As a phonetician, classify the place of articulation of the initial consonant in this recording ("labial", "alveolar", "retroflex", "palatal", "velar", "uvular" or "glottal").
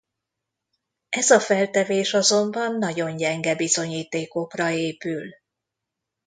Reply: alveolar